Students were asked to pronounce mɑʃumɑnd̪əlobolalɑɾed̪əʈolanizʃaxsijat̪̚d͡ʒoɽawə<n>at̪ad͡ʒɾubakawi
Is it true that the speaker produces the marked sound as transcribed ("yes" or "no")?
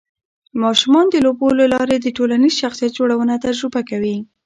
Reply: yes